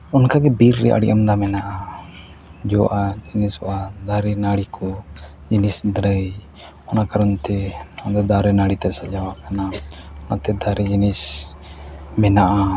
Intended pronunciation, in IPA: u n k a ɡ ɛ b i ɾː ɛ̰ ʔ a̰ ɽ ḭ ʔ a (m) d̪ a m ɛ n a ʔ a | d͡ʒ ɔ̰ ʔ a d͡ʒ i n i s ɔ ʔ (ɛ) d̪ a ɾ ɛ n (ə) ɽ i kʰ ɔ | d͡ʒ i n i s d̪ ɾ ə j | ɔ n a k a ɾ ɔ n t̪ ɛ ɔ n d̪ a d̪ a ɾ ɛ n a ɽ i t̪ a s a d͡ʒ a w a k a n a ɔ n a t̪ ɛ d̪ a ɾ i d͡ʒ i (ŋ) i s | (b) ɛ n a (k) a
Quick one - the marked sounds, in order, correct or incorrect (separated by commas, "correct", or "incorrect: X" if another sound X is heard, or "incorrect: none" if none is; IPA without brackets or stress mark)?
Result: correct, incorrect: a, incorrect: a, incorrect: n, incorrect: m, incorrect: ʔ